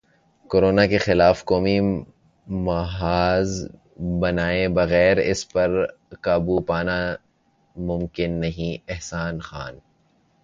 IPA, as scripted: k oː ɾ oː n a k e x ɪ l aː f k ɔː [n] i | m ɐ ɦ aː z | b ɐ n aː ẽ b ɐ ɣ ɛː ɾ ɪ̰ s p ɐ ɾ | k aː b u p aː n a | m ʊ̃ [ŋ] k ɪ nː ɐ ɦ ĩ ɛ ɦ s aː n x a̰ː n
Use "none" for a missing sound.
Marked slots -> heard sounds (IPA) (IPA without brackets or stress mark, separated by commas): m, m